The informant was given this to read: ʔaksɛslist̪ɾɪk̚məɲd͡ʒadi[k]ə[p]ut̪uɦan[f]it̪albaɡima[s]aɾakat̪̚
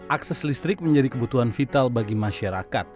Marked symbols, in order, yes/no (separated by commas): yes, no, yes, no